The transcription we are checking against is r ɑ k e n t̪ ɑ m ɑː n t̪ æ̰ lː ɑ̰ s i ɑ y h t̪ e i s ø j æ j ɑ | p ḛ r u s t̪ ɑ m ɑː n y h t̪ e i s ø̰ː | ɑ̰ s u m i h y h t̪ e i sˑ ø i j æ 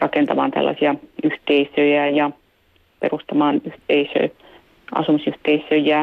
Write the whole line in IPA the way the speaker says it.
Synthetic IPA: r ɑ k e n t̪ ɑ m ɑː n t̪ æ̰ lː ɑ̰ s i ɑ y h t̪ e i s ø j æ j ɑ | p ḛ r u s t̪ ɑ m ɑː n y h t̪ e i s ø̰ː | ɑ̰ s u m i s y h t̪ e i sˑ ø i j æ